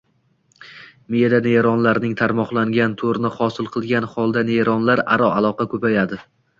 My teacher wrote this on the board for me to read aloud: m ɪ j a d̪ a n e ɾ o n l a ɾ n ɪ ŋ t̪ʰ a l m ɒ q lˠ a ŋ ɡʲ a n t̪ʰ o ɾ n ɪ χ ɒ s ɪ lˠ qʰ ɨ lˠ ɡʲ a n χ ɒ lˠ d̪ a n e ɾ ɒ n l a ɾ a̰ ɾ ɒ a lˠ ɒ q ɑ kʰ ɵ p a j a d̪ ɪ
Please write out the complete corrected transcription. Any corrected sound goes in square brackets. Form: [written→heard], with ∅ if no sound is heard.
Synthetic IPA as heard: m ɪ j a d̪ a n e ɾ [o→ɒ] n l a ɾ n ɪ ŋ t̪ʰ a [l→ɾ] m ɒ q lˠ a ŋ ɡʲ a n t̪ʰ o ɾ n ɪ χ ɒ s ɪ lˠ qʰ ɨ lˠ ɡʲ a n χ ɒ lˠ d̪ a n e ɾ ɒ n l a ɾ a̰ ɾ ɒ a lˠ ɒ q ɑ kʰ ɵ p a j a d̪ ɪ